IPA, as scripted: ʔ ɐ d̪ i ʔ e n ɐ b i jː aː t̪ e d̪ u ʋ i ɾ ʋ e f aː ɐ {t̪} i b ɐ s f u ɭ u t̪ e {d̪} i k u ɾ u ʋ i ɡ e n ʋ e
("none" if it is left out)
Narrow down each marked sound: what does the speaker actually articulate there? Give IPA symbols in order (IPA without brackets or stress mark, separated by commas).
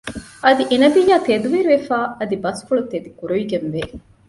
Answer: d̪, d̪